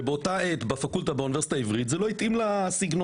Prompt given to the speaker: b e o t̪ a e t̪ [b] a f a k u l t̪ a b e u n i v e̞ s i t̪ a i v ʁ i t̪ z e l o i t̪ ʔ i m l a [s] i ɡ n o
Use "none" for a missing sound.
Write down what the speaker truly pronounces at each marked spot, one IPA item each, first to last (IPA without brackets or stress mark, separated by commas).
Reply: b, s